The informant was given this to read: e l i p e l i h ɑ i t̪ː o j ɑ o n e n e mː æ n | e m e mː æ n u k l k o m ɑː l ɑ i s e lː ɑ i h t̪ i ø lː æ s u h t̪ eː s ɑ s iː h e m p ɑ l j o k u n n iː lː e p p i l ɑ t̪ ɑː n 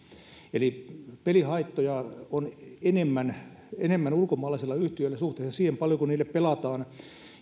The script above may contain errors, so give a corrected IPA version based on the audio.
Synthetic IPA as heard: e l i p e l i h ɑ i t̪ː o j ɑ o n e n e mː æ n | e n e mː æ n u l k o m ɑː l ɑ i s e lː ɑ y h t̪ i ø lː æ s u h t̪ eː s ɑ s iː h e m p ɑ l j o k u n n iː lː e p p e l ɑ t̪ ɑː n